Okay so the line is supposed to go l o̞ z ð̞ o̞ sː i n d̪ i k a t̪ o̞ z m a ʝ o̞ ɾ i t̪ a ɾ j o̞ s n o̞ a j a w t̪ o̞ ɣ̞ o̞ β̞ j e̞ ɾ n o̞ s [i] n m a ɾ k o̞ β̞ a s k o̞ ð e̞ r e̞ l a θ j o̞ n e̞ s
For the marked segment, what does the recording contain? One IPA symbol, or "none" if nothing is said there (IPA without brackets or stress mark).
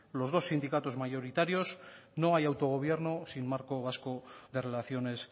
i